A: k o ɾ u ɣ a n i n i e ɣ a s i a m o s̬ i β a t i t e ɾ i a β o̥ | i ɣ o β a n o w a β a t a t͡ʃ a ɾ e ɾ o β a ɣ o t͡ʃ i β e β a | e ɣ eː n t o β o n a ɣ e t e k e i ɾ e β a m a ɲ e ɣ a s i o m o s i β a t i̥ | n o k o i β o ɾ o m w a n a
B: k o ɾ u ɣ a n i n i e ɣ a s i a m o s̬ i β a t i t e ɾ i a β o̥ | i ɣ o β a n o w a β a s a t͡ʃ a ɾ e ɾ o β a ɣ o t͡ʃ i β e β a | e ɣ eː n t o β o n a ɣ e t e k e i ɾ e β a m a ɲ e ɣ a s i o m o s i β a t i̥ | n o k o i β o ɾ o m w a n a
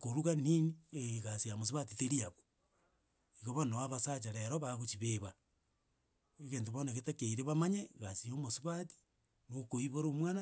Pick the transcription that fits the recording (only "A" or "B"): B